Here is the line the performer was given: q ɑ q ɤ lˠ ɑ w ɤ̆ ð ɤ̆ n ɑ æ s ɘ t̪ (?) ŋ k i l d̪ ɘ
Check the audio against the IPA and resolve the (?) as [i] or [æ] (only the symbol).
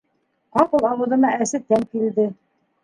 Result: æ